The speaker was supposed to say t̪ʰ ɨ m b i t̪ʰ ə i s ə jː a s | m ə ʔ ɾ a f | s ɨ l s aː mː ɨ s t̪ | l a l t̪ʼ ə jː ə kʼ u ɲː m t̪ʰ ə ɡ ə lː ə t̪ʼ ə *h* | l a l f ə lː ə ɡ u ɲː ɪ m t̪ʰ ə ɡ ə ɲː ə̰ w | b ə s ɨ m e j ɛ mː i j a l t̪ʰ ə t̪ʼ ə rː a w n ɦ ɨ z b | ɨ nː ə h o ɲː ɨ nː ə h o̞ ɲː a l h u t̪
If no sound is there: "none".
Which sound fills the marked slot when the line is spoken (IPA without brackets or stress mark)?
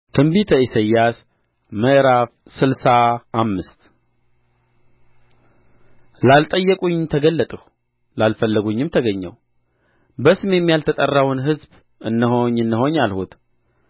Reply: h